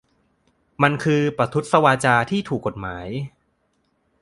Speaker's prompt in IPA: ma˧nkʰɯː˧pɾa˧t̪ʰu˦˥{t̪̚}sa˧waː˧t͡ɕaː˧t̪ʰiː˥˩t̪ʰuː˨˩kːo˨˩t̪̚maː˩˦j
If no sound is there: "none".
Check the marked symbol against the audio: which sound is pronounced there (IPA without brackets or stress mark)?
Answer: t̪̚